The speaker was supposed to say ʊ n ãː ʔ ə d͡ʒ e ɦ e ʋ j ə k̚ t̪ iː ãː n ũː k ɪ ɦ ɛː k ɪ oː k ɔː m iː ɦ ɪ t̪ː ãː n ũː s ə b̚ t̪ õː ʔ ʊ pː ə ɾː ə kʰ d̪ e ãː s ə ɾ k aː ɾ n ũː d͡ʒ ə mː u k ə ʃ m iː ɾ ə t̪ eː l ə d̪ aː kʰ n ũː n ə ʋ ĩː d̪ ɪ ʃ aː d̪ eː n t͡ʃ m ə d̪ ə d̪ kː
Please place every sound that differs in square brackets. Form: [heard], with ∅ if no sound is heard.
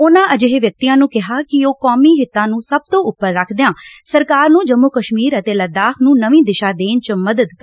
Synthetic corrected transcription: ʊ n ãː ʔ ə d͡ʒ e ɦ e ʋ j ə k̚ t̪ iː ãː n ũː k ɪ ɦ [aː] k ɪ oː k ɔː m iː ɦ ɪ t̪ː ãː n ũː s ə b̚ t̪ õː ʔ ʊ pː ə ɾː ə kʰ d̪ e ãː s ə ɾ k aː ɾ n ũː d͡ʒ ə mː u k ə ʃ m iː ɾ ə t̪ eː l ə d̪ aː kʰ n ũː n ə ʋ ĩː d̪ ɪ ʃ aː d̪ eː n t͡ʃ m ə d̪ ə d̪ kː